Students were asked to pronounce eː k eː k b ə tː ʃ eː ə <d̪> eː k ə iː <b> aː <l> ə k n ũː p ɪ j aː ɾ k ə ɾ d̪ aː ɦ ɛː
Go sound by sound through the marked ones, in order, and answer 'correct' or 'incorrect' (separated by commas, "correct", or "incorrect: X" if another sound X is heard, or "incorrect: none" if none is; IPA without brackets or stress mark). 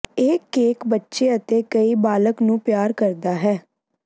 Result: incorrect: t̪, correct, correct